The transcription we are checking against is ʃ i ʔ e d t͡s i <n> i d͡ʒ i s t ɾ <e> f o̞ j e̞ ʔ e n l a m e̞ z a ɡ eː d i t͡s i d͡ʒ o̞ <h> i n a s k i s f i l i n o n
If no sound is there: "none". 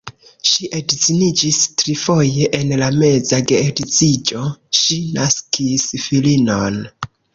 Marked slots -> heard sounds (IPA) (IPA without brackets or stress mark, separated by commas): n, i, ʃ